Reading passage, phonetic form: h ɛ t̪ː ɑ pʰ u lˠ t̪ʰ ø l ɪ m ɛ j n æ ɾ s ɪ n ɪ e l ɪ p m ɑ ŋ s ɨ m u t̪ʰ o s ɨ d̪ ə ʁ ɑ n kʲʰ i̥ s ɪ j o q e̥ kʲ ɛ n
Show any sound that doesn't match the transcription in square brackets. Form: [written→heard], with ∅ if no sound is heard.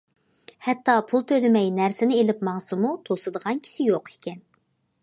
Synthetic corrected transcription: h ɛ t̪ː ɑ pʰ u lˠ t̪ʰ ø l ɪ m ɛ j n æ ɾ s ɪ n ɪ e l ɪ p m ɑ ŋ s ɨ m u t̪ʰ o s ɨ d̪ ə ʁ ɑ n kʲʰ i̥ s ɪ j o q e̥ kʲ ɛ n